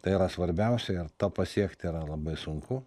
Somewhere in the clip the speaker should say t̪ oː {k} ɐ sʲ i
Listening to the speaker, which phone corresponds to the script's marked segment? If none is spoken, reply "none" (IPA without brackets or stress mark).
p